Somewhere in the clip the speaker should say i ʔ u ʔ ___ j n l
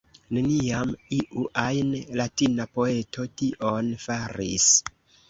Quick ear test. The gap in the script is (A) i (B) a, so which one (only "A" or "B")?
B